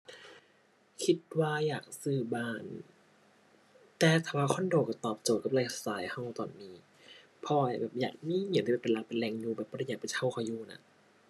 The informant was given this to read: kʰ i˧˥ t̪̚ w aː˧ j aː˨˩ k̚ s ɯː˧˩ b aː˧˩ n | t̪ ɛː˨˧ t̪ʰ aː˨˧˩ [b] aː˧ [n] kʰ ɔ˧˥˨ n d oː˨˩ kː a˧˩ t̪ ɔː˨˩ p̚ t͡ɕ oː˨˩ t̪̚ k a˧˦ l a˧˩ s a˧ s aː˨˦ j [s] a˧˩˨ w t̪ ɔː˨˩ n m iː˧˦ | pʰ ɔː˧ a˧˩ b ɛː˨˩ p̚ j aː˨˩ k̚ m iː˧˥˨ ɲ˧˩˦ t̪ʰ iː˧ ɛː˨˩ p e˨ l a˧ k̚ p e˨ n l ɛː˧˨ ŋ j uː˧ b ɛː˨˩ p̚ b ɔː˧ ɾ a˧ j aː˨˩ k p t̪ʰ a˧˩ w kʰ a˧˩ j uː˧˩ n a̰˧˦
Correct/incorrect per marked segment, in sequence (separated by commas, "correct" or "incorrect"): incorrect, incorrect, incorrect